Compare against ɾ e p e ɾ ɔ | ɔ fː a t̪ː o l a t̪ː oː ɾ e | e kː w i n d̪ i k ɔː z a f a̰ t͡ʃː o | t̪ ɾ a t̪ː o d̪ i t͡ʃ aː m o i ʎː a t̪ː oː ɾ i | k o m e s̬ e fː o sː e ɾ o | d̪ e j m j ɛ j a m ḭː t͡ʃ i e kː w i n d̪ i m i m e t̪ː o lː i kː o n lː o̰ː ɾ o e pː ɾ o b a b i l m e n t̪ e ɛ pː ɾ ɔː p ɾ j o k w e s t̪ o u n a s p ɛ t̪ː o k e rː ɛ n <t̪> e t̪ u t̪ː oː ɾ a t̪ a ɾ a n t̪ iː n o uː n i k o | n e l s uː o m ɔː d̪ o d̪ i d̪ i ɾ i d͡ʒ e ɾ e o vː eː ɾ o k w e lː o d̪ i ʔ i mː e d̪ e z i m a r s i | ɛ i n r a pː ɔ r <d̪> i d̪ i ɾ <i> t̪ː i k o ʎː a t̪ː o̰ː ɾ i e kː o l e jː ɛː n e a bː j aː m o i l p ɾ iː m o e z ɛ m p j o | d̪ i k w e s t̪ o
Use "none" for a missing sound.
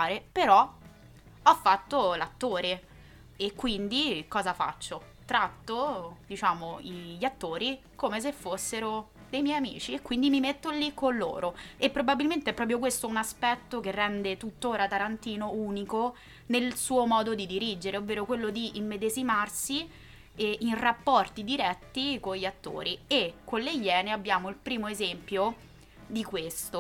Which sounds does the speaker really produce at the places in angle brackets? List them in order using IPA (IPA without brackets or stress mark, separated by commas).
d̪, t̪, ɛ